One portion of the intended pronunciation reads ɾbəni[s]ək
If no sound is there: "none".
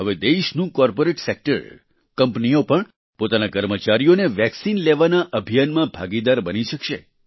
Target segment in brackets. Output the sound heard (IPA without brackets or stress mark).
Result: ʃ